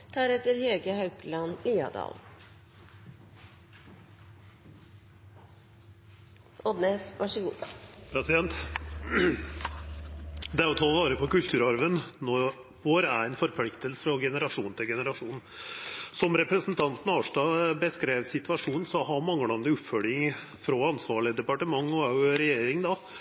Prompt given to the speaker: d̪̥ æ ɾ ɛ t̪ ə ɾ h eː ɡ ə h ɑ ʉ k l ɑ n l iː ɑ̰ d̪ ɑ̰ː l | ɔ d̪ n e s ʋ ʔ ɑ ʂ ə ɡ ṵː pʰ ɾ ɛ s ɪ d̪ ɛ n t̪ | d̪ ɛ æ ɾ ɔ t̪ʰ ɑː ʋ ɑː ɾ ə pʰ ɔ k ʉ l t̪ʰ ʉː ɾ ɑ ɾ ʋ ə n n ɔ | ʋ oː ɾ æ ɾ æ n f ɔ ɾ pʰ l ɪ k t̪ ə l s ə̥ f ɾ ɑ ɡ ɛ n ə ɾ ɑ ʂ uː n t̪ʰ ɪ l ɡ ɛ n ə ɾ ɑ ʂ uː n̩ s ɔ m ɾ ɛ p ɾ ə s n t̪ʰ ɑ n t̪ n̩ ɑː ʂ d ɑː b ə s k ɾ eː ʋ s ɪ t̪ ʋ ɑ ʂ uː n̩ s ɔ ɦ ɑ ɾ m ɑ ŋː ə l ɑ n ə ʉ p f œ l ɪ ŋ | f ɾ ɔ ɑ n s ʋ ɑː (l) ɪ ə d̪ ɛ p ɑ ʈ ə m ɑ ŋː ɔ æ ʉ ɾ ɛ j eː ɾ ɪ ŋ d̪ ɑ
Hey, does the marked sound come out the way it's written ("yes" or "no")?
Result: no